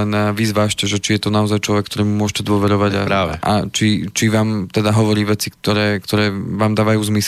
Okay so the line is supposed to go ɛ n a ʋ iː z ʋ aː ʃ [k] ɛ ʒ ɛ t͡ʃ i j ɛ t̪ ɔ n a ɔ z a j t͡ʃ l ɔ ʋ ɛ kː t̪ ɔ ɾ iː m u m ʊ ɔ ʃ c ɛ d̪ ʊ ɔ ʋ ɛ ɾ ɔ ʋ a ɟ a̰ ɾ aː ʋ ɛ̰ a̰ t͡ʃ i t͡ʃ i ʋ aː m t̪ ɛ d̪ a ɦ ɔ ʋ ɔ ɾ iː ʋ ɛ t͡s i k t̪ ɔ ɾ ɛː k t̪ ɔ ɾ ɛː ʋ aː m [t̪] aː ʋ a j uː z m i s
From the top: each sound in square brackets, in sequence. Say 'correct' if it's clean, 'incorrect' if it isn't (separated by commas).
incorrect, incorrect